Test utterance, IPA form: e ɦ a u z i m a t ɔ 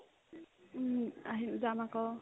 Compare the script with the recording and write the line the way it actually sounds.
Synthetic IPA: a ɦ i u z a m a k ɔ

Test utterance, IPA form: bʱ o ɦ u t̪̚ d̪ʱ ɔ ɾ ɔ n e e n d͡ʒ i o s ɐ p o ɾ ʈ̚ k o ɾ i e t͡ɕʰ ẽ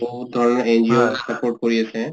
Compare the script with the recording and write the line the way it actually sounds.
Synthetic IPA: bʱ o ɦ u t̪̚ d̪ʱ ɔ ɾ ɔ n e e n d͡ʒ i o s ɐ p o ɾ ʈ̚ k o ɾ i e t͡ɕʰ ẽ

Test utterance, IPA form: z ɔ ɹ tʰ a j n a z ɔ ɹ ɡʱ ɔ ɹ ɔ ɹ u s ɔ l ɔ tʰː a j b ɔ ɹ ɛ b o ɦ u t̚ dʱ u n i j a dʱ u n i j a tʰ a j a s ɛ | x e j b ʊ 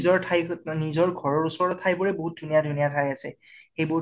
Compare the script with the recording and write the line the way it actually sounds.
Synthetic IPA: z ɔ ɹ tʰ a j n i z ɔ ɹ ɡʱ ɔ ɹ ɔ ɹ u s ɔ ɹ ɔ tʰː a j b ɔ ɹ ɛ b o ɦ u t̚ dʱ u n i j a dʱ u n i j a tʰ a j a s ɛ | x e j b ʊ

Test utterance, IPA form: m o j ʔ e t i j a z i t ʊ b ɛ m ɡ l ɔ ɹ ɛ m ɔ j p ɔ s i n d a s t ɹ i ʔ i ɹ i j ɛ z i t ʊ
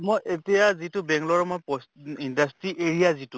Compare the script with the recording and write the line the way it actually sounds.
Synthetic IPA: m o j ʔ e t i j a z i t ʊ b ɛ ŋ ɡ l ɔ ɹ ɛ m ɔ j p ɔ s i n d a s t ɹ i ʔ e ɹ i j a z i t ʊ

